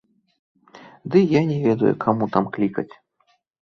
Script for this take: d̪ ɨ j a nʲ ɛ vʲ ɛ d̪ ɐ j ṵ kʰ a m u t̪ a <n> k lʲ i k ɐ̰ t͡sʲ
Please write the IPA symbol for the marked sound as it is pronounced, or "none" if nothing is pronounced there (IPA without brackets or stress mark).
m